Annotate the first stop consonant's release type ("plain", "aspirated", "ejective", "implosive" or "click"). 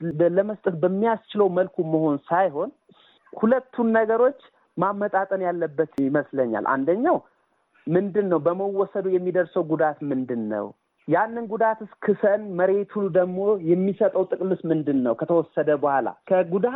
ejective